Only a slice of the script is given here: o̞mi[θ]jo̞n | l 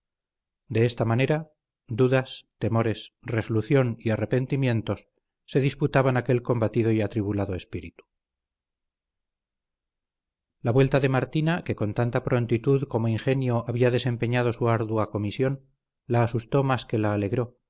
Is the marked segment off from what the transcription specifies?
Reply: yes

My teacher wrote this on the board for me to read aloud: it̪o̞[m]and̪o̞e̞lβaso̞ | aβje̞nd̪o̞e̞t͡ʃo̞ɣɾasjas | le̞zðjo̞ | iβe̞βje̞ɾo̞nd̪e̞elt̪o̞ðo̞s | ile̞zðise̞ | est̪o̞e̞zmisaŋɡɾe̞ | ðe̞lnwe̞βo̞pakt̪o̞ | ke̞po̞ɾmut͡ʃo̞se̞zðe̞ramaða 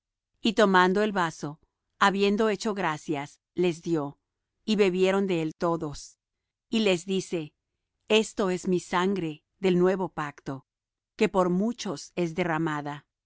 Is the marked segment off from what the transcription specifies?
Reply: no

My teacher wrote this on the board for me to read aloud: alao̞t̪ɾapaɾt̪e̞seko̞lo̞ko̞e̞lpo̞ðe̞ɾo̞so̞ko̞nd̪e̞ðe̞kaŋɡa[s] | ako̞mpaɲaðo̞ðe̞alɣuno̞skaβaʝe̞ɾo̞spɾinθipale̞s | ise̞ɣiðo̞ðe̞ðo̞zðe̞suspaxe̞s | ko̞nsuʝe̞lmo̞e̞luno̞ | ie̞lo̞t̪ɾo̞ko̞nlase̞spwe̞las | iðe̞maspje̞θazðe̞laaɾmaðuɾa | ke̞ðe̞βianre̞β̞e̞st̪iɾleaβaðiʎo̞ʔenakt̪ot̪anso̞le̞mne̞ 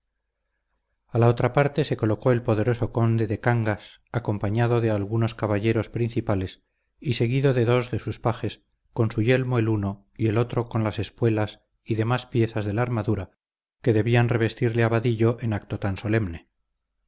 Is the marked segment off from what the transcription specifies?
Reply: no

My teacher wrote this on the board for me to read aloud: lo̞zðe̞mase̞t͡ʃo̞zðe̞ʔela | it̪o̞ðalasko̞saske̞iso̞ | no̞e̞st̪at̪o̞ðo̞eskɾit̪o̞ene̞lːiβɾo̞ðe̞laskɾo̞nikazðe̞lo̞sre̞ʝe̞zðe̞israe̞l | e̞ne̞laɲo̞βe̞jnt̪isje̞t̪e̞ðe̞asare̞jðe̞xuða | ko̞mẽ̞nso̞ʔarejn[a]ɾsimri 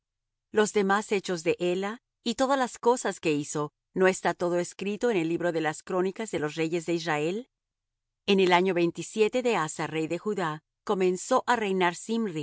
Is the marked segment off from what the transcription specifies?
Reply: no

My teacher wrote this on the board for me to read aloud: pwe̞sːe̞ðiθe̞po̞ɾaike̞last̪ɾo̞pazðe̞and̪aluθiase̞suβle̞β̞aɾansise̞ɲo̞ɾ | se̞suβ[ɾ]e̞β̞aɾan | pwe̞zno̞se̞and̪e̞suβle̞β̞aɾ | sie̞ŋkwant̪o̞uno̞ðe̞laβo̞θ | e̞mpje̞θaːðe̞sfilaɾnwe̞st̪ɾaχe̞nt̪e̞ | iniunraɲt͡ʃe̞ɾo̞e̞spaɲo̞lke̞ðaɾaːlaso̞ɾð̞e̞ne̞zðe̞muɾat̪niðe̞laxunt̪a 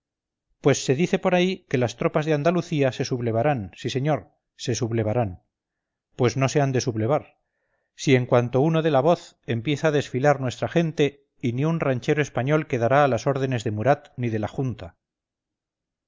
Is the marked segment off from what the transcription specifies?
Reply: yes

